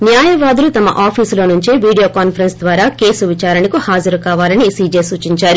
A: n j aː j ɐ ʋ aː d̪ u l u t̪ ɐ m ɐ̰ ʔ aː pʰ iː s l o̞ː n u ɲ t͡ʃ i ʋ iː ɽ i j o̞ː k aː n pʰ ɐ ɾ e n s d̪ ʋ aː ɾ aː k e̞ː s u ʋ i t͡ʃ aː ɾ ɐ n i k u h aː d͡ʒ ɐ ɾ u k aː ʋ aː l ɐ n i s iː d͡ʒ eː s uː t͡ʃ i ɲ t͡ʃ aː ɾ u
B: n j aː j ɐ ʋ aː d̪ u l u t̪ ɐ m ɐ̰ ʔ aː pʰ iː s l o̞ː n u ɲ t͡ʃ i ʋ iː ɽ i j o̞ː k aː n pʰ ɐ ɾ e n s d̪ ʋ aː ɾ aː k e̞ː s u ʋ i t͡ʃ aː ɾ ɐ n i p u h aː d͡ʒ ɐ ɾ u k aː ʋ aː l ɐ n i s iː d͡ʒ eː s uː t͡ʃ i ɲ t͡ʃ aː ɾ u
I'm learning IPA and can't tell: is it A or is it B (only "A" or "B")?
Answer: A